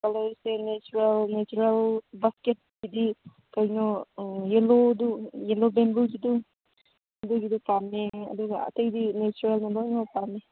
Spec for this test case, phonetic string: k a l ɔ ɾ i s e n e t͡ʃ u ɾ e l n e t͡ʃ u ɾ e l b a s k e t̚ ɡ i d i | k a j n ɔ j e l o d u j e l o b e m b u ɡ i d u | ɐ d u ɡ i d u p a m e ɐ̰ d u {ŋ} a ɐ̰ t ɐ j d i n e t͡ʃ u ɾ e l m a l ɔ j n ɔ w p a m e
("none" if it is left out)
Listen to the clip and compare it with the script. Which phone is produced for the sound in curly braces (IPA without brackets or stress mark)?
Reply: ɡ